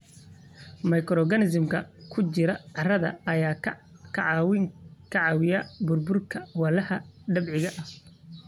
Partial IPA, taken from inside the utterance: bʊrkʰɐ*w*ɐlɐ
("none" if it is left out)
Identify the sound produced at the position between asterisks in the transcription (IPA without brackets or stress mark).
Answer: w